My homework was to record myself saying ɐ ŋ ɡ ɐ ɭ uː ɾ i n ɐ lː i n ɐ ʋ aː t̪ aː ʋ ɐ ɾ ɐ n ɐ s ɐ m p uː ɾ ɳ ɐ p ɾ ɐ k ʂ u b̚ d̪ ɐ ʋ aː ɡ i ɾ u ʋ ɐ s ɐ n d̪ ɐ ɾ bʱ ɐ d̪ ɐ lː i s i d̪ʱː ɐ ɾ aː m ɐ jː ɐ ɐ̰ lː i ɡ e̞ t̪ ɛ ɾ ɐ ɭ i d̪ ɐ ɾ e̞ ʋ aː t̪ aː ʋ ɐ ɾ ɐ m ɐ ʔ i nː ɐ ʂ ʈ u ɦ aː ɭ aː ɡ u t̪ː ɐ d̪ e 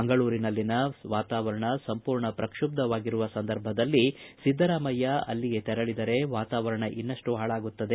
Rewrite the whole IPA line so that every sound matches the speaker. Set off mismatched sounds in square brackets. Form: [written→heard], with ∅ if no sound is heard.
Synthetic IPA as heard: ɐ ŋ ɡ ɐ ɭ uː ɾ i n ɐ lː i n ɐ ʋ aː t̪ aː ʋ ɐ ɾ ɐ [n→ɳ] ɐ s ɐ m p uː ɾ ɳ ɐ p ɾ ɐ k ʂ u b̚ d̪ ɐ ʋ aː ɡ i ɾ u ʋ ɐ s ɐ n d̪ ɐ ɾ bʱ ɐ d̪ ɐ lː i s i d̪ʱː ɐ ɾ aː m ɐ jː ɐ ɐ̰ lː i ɡ e̞ t̪ ɛ ɾ ɐ ɭ i d̪ ɐ ɾ e̞ ʋ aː t̪ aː ʋ ɐ ɾ ɐ [m→ɳ] ɐ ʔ i nː ɐ ʂ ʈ u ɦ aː ɭ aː ɡ u t̪ː ɐ d̪ e